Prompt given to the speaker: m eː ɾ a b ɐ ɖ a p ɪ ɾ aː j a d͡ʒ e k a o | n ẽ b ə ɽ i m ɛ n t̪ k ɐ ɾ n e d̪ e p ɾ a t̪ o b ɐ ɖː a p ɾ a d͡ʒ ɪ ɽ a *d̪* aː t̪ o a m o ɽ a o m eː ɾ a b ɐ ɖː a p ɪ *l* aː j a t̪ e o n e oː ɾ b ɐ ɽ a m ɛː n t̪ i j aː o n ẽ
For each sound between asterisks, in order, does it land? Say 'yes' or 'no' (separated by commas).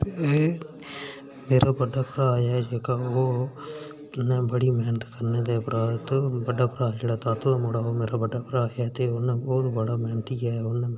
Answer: no, no